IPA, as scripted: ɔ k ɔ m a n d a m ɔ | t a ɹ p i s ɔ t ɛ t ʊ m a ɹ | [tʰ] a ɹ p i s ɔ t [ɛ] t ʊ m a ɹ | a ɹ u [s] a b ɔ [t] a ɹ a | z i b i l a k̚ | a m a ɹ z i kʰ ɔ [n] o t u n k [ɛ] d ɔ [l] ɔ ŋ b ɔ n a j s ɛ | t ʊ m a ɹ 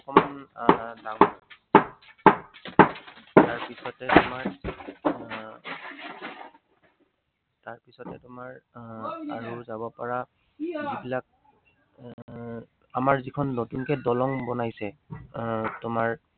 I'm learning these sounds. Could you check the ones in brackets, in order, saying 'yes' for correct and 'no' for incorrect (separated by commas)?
no, yes, no, no, no, yes, yes